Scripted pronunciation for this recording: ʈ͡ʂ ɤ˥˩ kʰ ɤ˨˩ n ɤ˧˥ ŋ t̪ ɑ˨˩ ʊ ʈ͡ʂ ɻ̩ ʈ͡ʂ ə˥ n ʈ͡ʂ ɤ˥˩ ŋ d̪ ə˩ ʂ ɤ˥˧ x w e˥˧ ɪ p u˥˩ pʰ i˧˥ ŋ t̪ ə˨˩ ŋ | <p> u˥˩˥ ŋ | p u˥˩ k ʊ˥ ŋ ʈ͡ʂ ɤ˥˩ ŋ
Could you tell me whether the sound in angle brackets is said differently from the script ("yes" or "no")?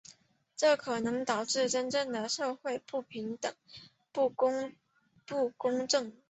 no